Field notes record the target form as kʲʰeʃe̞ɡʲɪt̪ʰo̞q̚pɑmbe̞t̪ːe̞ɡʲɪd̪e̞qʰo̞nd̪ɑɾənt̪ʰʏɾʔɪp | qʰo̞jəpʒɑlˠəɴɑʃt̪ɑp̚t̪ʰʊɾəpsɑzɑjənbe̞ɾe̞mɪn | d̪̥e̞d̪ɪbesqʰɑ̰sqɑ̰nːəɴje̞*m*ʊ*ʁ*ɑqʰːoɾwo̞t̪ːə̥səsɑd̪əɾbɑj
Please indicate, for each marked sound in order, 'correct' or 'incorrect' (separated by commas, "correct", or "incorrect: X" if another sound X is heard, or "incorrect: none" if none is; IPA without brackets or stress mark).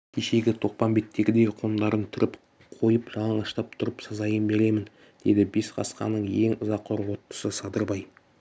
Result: incorrect: ŋ, incorrect: z